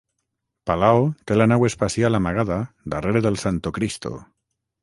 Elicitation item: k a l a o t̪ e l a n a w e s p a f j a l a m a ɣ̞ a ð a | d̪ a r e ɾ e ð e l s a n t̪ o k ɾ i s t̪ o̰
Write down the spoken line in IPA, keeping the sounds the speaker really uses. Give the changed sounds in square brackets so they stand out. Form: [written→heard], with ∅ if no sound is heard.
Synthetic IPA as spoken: [k→p] a l a o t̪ e l a n a w e s p a [f→s] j a l a m a ɣ̞ a ð a | d̪ a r e ɾ e ð e l s a n t̪ o k ɾ i s t̪ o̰